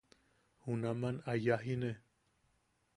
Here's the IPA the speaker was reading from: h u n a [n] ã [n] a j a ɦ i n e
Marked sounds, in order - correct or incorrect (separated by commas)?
incorrect, correct